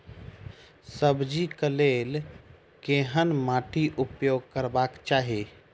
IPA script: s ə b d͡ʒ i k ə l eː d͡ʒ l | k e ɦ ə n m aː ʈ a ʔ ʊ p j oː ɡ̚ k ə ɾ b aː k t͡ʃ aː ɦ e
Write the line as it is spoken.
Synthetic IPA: s ə b d͡ʒ i k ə l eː l | k e ɦ ə n m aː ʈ i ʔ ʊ p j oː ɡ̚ k ə ɾ b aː k t͡ʃ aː ɦ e